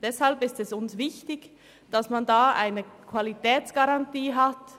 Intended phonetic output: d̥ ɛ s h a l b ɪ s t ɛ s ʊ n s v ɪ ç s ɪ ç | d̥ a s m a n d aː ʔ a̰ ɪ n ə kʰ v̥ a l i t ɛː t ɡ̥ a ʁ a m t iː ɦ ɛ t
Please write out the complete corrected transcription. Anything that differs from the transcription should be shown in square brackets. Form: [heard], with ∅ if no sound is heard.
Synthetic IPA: d̥ ɛ s h a l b ɪ s t ɛ s ʊ n s v ɪ ç [t] ɪ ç | d̥ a s m a n d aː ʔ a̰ ɪ n ə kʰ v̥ a l i t ɛː [t͡s] ɡ̥ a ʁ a [n] t iː ɦ [a] t

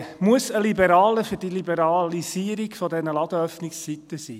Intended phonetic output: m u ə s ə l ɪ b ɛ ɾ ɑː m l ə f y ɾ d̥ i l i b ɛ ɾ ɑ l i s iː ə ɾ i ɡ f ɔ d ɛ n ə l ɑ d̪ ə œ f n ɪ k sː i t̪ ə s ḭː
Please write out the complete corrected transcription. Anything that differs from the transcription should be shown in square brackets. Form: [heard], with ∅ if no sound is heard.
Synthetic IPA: m u ə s ə l [i] b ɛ ɾ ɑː [∅] l ə f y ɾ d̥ i l i b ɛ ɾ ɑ l i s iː ə ɾ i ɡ f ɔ d ɛ n ə l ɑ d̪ ə œ f n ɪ k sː i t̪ ə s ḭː

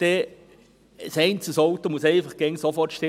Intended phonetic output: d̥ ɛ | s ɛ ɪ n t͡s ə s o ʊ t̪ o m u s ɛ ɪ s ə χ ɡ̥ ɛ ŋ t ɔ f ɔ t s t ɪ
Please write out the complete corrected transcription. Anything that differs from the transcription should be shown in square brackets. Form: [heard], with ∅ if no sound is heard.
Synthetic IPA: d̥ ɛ | s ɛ ɪ n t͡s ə s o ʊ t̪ o m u s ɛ ɪ [f] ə χ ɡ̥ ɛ ŋ [s] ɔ f ɔ t [ʃ] t ɪ

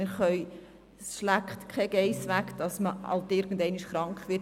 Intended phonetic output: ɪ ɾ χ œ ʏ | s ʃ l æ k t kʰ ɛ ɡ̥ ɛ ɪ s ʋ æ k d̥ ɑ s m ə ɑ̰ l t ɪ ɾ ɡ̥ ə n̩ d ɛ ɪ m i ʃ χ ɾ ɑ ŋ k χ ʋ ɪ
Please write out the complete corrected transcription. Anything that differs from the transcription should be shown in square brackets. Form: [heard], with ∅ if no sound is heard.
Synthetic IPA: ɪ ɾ χ œ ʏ | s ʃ l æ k t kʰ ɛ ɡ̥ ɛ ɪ s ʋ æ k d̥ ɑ s m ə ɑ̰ l t ɪ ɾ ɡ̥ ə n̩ d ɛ ɪ [n] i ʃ χ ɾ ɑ ŋ k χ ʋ ɪ

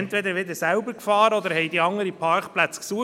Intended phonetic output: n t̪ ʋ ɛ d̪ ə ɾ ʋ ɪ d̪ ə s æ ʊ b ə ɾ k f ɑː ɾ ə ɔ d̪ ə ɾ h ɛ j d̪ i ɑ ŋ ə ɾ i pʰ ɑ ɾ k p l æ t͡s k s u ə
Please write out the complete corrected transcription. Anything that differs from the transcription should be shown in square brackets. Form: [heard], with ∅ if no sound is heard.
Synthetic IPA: n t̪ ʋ ɛ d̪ ə ɾ ʋ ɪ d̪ ə s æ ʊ b ə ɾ k f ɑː ɾ ə ɔ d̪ ə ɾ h ɛ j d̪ i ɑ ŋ ə ɾ i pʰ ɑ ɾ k p l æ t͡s k s u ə

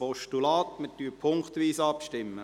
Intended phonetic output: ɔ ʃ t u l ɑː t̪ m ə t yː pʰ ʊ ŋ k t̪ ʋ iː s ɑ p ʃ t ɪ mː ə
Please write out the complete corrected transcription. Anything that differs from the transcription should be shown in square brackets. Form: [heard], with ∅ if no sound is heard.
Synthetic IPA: ɔ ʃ t u l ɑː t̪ m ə t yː pʰ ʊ ŋ k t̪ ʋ iː s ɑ p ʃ t ɪ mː ə

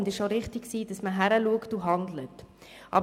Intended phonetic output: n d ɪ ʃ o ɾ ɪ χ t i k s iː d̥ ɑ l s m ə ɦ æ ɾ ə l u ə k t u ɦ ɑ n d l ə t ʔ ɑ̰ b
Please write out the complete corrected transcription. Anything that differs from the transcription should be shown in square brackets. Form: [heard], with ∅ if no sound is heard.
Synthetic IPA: n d ɪ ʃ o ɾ ɪ χ t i k s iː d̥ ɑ [∅] s m ə ɦ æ ɾ ə l u ə k t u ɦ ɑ n d l ə t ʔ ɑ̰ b

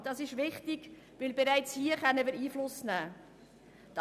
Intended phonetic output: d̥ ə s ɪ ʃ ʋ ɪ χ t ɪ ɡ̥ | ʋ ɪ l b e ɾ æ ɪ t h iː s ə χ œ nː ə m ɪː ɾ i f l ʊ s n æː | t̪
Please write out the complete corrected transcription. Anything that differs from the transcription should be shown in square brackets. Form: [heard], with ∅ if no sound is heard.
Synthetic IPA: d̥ [ɑ] s ɪ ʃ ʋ ɪ χ t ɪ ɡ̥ | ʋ ɪ l b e ɾ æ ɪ [t͡s] h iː [∅] ə χ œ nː ə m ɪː ɾ [iː] f l ʊ s n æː | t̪

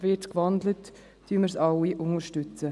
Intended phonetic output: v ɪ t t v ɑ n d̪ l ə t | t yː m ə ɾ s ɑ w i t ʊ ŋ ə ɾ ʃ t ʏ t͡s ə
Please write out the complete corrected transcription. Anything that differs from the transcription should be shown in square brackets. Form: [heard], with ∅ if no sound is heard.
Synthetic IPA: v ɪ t [k] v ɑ n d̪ l ə t | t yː m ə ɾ s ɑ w i [ʔ] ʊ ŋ ə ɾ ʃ t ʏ t͡s ə

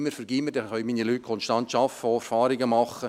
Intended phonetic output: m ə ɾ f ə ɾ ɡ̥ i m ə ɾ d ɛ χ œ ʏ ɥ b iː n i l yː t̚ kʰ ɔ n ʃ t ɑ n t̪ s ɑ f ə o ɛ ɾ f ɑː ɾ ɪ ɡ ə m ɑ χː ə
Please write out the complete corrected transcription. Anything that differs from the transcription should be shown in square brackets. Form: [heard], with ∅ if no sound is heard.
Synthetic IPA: m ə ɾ f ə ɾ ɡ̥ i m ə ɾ d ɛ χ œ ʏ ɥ [m] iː n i l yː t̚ kʰ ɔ n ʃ t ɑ n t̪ [ʃ] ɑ f ə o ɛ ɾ f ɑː ɾ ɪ ɡ ə m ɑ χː ə

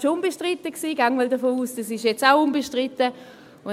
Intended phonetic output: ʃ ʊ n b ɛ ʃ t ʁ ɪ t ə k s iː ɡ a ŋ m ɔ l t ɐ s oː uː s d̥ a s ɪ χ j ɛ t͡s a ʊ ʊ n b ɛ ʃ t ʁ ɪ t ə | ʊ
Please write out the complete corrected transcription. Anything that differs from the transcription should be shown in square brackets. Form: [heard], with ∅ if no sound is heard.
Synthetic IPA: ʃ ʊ n b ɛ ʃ t ʁ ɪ t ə k s iː ɡ a ŋ m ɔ l [d] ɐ [f] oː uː s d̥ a s ɪ [ʃ] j ɛ t͡s a ʊ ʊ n b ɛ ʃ t ʁ ɪ t ə | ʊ

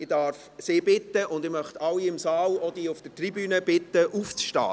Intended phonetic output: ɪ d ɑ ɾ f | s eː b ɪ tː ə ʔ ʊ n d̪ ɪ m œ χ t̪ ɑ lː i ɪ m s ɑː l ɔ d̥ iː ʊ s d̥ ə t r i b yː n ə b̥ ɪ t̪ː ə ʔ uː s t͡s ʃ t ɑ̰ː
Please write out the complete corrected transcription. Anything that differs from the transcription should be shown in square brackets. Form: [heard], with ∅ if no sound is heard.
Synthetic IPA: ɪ d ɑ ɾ f | s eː b ɪ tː ə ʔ ʊ n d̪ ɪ m œ χ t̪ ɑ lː i ɪ m s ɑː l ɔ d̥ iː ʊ [f] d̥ ə t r i b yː n ə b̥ ɪ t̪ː ə ʔ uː [f] t͡s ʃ t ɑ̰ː

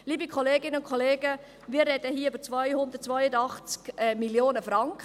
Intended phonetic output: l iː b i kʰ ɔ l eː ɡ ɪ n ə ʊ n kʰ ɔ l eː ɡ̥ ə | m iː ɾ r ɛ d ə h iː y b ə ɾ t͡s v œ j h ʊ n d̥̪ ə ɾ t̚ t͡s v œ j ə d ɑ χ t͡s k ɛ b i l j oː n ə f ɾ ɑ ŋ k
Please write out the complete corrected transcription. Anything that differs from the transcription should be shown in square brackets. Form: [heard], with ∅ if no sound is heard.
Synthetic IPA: l iː b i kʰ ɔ l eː ɡ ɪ n ə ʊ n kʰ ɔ l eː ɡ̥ ə | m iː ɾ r ɛ d ə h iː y b ə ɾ t͡s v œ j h ʊ n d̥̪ ə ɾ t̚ t͡s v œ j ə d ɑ χ t͡s k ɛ [m] i l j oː n ə f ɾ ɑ ŋ k

